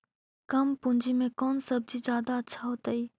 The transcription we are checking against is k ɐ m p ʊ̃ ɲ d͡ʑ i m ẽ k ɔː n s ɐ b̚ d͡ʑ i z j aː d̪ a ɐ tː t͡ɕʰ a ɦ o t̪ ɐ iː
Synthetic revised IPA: k ɐ m p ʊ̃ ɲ d͡ʑ i m ẽ k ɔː n s ɐ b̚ d͡ʑ i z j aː d̪ a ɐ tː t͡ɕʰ a ɦ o t̪ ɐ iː